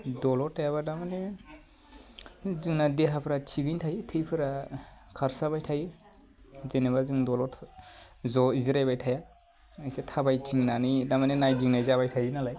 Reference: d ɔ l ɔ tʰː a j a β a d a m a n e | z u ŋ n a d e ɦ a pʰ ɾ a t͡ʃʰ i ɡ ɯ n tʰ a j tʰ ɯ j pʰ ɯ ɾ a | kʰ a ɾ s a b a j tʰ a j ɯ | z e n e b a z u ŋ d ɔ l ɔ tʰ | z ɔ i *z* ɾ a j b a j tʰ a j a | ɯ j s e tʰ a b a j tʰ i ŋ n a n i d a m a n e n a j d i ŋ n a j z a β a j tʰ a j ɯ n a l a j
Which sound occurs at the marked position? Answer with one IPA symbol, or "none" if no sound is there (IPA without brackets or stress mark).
z